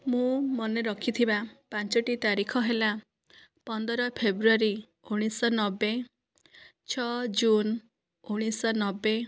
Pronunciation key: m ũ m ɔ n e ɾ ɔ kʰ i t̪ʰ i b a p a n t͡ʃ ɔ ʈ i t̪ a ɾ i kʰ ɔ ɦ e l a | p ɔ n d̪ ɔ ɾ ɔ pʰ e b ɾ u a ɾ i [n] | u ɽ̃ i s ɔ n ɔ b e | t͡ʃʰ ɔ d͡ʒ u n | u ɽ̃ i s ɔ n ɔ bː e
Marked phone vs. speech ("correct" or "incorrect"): incorrect